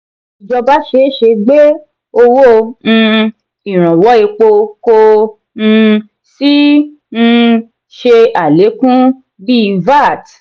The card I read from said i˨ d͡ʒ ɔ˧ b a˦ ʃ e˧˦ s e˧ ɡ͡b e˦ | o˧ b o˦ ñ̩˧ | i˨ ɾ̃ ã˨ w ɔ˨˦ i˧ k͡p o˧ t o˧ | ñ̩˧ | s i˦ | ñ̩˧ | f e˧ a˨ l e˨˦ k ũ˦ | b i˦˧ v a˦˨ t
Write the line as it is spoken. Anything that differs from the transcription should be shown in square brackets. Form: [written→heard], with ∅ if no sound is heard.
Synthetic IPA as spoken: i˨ d͡ʒ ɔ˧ b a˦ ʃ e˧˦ [s→ʃ] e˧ ɡ͡b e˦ | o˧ [b→w] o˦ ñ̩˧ | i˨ ɾ̃ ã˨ w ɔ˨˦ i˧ k͡p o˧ [t→k] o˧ | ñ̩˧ | s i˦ | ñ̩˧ | [f→ʃ] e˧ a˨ l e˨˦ k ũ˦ | b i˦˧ v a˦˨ t